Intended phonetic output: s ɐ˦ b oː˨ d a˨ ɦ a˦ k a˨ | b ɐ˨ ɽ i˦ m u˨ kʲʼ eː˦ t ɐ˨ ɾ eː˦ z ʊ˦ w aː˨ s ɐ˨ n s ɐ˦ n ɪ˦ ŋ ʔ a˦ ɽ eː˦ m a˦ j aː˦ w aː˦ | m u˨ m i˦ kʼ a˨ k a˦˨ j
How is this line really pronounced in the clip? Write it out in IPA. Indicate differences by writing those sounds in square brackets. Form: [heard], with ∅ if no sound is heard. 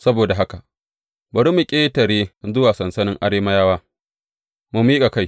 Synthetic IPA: s ɐ˦ b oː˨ d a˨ ɦ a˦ k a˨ | b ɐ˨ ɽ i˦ m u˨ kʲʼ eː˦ t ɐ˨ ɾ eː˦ z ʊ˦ w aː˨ s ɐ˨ n s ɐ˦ n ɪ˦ ŋ ʔ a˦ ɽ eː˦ m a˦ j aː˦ w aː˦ | m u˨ m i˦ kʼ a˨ k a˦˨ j